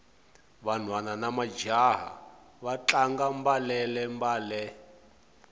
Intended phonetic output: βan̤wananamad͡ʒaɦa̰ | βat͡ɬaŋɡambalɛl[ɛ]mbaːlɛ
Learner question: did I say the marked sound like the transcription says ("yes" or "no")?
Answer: yes